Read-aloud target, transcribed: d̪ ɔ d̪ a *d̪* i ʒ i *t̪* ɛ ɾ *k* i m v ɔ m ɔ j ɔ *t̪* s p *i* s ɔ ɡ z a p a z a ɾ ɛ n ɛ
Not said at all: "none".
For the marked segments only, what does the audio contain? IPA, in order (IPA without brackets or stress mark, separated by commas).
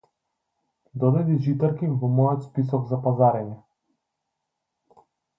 d̪, t̪, k, t̪, i